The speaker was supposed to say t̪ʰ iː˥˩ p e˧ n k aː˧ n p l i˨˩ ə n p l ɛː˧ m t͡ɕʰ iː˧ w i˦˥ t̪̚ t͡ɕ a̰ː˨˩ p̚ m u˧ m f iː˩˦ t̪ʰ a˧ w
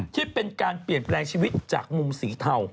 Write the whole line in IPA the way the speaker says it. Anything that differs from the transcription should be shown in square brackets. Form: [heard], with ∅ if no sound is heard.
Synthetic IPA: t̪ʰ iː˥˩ p e˧ n k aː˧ n p l i˨˩ ə n p l ɛː˧ [ŋ] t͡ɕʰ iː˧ w i˦˥ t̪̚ t͡ɕ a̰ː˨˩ [k̚] m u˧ m [s] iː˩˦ t̪ʰ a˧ w